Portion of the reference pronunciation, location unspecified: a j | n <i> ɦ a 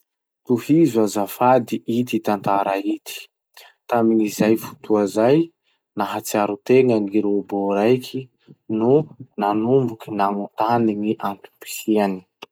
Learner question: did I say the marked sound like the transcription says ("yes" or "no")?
no